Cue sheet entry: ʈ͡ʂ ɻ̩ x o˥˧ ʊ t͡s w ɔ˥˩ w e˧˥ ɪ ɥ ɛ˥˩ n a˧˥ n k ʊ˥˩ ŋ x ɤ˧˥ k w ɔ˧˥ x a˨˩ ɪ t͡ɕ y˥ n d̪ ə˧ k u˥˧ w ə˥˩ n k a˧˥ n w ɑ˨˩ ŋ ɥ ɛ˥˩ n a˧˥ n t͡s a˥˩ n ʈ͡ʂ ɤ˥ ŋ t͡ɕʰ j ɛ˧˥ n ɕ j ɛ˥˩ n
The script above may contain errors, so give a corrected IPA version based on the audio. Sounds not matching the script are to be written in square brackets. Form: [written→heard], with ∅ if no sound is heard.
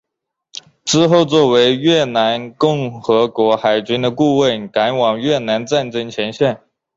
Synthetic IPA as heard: ʈ͡ʂ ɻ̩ x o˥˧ ʊ t͡s w ɔ˥˩ w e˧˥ ɪ ɥ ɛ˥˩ n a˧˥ n k ʊ˥˩ ŋ x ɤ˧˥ k w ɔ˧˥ x a˨˩ ɪ t͡ɕ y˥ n d̪ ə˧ k u˥˧ w ə˥˩ n k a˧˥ n w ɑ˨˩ ŋ ɥ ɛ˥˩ n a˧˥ n t͡s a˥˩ n ʈ͡ʂ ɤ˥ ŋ t͡ɕʰ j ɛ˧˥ n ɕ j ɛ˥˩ n